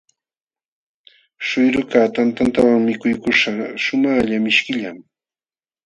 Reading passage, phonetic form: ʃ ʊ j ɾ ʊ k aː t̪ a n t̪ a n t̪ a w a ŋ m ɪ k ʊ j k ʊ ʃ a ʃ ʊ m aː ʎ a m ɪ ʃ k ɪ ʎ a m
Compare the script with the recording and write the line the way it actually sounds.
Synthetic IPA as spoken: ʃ ʊ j ɾ ʊ k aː t̪ a n t̪ a n t̪ a w a ŋ m ɪ k ʊ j k ʊ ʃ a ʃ ʊ m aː ʎ a m ɪ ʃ k ɪ ʎ a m